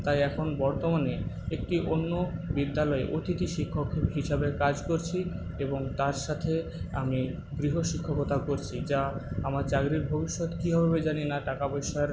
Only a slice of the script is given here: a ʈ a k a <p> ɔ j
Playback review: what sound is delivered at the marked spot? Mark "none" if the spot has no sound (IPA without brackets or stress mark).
b